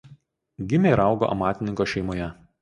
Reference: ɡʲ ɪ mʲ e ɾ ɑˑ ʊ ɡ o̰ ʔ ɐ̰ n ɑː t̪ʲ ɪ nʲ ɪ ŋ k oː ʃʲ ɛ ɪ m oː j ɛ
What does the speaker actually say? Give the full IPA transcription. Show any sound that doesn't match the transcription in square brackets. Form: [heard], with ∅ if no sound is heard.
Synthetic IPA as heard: ɡʲ ɪ mʲ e ɾ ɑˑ ʊ ɡ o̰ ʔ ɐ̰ [m] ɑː t̪ʲ ɪ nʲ ɪ ŋ k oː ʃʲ ɛ ɪ m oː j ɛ